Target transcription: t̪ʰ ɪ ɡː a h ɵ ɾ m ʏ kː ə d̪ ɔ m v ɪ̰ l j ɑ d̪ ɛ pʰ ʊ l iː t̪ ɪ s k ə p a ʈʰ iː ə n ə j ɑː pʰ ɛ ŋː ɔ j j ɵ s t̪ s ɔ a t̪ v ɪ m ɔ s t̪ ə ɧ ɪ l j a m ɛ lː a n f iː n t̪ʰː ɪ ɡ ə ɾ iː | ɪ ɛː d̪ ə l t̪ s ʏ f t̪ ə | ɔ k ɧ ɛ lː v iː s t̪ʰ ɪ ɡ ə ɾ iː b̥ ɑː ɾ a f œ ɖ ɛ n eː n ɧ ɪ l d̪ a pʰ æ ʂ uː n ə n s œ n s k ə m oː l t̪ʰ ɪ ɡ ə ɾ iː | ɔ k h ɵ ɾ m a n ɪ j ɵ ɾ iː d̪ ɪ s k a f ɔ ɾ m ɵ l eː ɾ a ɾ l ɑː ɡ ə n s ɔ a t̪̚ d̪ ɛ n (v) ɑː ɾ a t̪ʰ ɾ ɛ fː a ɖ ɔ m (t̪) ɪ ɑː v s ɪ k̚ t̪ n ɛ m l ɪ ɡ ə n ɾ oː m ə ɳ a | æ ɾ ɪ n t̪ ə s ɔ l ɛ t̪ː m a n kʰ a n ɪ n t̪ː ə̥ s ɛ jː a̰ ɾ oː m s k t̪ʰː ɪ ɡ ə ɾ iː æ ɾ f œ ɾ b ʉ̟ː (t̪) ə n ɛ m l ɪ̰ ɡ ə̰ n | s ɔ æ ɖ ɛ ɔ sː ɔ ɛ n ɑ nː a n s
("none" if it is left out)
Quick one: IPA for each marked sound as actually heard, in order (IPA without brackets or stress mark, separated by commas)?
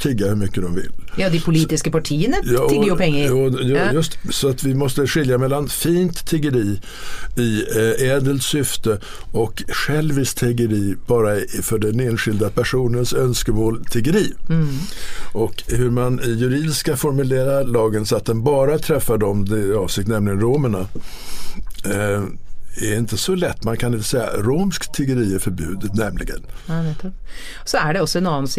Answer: b, d̪, d̪